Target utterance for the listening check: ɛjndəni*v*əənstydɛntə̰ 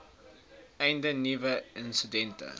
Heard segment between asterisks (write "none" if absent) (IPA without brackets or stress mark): v